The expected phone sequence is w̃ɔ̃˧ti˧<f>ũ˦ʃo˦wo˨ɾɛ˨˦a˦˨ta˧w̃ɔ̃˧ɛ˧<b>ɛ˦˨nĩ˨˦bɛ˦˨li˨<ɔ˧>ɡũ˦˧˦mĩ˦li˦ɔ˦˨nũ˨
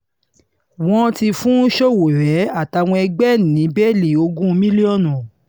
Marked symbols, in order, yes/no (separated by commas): yes, no, no